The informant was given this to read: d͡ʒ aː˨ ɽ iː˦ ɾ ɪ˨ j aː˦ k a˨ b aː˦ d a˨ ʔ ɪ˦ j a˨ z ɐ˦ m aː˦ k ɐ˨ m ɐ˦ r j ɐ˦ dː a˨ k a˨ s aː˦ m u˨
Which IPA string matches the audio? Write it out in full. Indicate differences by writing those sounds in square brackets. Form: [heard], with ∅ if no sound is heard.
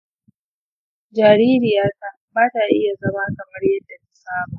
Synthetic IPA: d͡ʒ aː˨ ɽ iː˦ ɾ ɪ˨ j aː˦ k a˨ b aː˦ [t] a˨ ʔ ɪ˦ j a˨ z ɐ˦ m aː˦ k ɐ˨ m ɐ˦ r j ɐ˦ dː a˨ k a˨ s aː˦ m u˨